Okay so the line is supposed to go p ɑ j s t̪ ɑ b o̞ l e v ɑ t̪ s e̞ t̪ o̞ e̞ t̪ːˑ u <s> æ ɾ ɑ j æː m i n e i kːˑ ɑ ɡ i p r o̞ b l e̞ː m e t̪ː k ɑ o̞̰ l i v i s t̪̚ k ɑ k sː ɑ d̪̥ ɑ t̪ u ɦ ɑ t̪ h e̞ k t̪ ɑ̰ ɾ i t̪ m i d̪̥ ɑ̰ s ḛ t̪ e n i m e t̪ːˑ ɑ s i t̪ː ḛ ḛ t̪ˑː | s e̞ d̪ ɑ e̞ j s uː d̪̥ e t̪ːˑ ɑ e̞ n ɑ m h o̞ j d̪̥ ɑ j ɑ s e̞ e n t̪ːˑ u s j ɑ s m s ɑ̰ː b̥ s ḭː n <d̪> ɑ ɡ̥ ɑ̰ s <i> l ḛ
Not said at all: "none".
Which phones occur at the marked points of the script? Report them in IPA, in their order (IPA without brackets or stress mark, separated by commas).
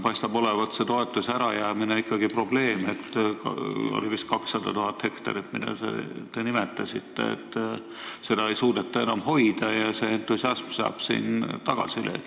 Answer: s, t̪, i